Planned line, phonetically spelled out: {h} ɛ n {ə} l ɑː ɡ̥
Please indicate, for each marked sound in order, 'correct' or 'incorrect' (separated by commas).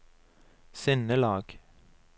incorrect, correct